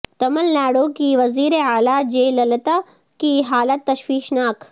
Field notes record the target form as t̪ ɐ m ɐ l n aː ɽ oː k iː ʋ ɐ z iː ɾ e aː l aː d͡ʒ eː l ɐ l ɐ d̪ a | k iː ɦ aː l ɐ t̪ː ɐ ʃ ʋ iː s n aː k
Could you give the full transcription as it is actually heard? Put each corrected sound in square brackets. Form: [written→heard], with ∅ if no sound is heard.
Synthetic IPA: t̪ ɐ m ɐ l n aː ɽ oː k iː ʋ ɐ z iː ɾ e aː l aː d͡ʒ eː l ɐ l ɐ [d̪→t̪] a | k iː ɦ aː l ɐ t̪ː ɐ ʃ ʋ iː [s→ʃ] n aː k